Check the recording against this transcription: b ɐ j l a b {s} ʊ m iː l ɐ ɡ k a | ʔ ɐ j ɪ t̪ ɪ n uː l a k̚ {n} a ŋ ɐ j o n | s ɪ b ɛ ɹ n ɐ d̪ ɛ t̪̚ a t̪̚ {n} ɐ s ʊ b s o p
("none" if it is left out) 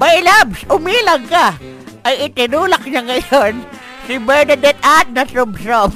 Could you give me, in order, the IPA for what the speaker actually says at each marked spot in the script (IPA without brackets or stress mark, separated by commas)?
s, ɲ, n